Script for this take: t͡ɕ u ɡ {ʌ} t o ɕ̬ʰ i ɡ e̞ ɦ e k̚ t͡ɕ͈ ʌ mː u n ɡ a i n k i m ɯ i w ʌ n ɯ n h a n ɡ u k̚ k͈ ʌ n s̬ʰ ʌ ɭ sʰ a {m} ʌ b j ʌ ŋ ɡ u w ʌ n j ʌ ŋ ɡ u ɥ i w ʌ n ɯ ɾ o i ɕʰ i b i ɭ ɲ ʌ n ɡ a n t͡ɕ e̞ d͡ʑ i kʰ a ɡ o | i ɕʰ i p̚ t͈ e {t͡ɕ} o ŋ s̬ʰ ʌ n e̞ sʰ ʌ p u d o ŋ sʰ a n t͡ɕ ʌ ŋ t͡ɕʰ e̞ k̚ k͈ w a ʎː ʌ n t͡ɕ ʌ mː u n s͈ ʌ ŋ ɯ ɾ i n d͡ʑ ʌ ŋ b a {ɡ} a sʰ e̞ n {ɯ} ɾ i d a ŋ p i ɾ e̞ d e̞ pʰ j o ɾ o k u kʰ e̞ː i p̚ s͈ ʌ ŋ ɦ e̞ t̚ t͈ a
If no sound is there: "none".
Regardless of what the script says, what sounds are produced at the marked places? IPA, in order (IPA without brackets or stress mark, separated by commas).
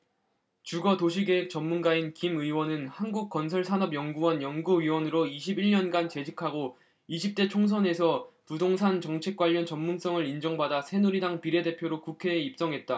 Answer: ʌ, n, t͡ɕʰ, d, u